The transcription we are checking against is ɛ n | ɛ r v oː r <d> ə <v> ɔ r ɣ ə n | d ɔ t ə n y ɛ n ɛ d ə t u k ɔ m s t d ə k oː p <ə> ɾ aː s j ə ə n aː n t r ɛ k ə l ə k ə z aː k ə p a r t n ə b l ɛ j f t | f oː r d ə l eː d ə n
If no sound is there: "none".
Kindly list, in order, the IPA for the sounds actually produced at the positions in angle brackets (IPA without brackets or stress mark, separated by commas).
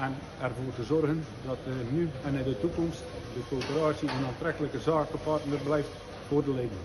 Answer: t, z, ə